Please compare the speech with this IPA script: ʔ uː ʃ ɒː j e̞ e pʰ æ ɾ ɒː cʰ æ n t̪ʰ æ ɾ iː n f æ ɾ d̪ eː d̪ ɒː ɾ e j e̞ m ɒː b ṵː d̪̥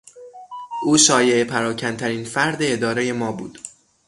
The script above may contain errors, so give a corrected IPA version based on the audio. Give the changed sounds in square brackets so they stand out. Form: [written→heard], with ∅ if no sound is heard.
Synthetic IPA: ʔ uː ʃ ɒː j e̞ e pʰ æ ɾ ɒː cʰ æ n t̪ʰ æ ɾ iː n f æ ɾ d̪ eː d̪ ɒː ɾ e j e̞ m ɒː b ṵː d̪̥